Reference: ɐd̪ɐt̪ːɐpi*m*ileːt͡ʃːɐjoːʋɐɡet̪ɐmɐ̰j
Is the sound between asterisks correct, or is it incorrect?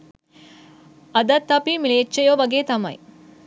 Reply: correct